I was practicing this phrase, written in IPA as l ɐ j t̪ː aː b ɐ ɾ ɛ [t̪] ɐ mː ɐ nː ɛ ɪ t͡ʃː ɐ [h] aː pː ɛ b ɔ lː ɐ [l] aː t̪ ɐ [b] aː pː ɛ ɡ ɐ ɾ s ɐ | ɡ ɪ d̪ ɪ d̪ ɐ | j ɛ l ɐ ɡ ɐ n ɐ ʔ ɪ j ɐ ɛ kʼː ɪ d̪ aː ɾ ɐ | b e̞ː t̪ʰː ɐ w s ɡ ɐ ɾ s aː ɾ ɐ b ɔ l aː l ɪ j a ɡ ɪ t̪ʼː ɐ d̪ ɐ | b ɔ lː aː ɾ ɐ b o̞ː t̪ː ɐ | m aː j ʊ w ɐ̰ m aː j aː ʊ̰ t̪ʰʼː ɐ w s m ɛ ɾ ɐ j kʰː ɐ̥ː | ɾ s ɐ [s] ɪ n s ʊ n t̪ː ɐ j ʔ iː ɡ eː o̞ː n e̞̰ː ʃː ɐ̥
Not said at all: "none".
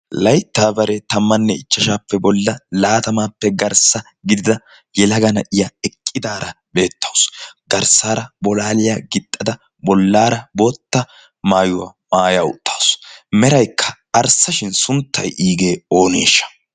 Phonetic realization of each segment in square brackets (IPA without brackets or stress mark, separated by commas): t̪, ʃ, l, m, ʃ